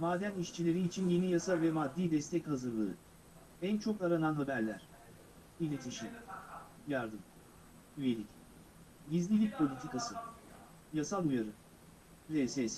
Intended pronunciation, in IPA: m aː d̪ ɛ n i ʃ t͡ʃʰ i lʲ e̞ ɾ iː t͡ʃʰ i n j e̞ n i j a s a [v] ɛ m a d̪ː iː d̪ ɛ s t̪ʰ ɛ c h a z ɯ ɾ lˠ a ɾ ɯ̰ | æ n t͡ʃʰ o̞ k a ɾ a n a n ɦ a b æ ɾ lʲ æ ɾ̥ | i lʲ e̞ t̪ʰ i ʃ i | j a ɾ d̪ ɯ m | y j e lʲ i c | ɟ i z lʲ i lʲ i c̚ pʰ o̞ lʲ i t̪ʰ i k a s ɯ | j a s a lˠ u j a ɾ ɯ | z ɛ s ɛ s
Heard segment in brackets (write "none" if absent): v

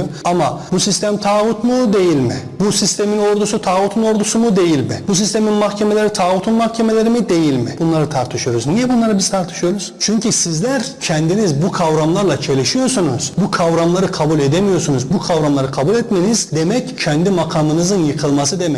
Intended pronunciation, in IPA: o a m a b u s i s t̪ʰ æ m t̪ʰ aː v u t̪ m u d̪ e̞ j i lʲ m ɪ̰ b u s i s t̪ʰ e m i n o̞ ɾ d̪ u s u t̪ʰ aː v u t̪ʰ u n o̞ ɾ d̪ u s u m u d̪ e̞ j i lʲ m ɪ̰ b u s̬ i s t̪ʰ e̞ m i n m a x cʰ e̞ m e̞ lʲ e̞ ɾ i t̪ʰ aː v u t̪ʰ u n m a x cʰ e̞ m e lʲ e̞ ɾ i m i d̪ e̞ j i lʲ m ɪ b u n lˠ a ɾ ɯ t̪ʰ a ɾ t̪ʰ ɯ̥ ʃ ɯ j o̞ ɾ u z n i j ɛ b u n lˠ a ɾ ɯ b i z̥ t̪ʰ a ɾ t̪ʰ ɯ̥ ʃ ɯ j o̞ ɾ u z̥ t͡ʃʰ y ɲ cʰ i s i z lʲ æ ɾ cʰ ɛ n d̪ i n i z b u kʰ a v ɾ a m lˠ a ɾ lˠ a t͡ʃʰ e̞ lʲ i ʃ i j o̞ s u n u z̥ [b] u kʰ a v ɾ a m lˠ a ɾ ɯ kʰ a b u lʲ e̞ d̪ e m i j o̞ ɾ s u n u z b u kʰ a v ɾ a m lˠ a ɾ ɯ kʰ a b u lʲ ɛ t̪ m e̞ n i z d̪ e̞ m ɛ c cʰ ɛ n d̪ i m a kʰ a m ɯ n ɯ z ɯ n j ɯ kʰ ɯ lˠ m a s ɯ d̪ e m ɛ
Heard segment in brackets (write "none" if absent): b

